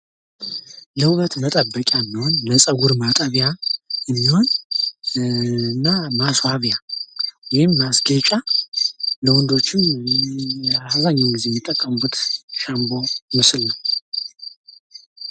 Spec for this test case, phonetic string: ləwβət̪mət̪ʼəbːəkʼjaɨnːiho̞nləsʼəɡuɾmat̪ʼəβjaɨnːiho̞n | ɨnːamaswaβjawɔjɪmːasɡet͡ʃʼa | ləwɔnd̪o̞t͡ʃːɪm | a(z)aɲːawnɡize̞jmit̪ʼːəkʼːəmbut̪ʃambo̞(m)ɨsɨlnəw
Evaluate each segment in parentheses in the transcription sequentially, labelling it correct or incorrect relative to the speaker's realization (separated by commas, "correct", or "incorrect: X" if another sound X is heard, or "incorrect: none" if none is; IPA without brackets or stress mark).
correct, correct